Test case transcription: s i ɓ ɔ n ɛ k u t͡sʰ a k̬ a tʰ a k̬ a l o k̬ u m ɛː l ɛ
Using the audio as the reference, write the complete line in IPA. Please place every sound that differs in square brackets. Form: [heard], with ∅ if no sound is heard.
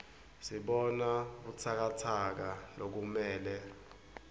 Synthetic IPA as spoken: s i ɓ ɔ n [a] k u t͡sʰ a k̬ a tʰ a k̬ a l o k̬ u m ɛː l ɛ